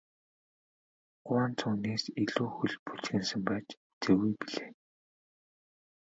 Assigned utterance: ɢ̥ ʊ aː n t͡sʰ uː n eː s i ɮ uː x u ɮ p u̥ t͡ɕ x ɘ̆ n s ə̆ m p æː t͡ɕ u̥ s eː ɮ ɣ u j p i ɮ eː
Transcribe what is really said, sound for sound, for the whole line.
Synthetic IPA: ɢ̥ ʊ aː n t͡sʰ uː n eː s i ɮ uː x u ɮ p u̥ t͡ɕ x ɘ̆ n s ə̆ m p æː t͡ɕ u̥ t͡s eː ɣ u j p i ɮ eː